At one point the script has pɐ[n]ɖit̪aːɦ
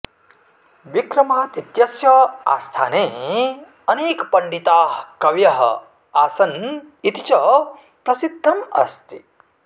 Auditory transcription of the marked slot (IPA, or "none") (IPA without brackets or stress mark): ɳ